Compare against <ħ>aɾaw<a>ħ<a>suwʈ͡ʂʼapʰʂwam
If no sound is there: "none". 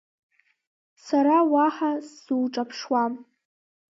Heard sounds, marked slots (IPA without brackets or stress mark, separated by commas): s, a, a